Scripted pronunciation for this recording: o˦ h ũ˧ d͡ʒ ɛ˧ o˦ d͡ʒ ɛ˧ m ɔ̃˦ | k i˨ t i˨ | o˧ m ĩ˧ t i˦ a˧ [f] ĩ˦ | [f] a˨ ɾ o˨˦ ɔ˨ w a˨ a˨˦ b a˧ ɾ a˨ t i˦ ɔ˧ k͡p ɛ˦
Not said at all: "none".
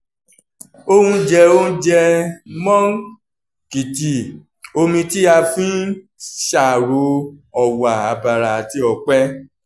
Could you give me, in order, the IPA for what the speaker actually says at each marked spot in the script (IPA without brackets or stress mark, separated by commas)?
f, ʃ